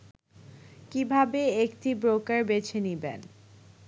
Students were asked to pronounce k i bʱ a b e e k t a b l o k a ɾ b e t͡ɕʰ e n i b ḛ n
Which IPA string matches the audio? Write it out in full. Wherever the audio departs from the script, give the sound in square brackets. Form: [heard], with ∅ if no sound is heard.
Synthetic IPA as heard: k i bʱ a b e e k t [i] b [ɾ] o k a ɾ b e t͡ɕʰ e n i b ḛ n